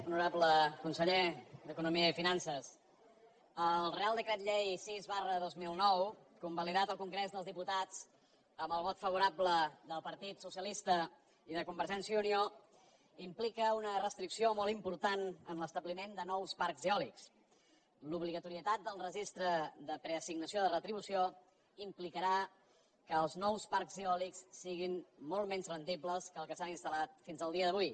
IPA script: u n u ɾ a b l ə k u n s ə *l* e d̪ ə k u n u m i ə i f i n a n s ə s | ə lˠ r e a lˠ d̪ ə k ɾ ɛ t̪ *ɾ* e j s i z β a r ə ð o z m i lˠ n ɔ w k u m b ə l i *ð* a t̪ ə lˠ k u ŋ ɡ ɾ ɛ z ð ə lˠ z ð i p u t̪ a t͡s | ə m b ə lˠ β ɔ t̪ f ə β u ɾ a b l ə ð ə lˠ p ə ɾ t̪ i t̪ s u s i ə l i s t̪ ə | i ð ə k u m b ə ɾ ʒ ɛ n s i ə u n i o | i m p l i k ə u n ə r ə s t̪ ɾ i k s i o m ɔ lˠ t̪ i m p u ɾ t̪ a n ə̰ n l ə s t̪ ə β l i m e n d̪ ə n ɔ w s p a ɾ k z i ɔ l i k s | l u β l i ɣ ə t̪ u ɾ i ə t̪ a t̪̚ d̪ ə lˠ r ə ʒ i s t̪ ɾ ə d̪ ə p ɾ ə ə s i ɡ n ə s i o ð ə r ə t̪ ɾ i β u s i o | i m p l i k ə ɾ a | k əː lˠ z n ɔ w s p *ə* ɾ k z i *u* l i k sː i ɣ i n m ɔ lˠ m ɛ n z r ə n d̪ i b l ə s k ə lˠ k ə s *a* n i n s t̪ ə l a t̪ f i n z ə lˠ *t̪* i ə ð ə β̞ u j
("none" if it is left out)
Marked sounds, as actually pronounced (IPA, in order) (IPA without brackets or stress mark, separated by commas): ʎ, ʎ, ð, a, ɔ, a, d̪